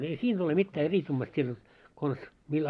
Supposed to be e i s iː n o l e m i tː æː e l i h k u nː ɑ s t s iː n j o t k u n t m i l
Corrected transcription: e i s iː n o l e m i tː æː e r i s k u mː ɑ s t s iː n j o t k o n s m i l